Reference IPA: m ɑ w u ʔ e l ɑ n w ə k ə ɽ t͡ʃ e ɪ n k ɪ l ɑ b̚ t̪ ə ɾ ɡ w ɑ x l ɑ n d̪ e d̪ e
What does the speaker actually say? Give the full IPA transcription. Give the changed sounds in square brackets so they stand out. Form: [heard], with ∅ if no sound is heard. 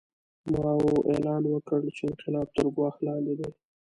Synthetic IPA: m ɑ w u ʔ e l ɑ n w ə k ə ɽ t͡ʃ e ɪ n [q] ɪ l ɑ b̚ t̪ ə ɾ ɡ w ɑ x l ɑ n d̪ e d̪ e